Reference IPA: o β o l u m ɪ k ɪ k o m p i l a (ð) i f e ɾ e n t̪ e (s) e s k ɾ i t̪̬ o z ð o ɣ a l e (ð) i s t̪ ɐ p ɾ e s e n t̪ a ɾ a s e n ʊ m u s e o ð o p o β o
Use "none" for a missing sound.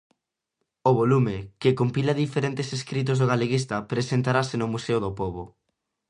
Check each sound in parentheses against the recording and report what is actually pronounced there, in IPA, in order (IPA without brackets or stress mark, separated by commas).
ð, s, ɣ